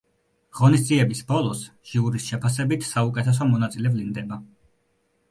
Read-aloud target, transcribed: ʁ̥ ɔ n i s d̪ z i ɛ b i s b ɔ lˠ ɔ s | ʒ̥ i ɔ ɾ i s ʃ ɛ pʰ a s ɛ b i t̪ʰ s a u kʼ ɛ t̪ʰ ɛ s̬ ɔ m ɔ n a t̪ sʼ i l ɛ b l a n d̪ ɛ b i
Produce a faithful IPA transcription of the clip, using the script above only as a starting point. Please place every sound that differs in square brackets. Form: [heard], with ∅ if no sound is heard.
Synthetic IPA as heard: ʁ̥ ɔ n i s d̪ z i ɛ b i s b ɔ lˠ ɔ s | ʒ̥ i [u] ɾ i s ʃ ɛ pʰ a s ɛ b i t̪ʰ s a u kʼ ɛ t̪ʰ ɛ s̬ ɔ m ɔ n a t̪ sʼ i l ɛ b l [i] n d̪ ɛ b [a]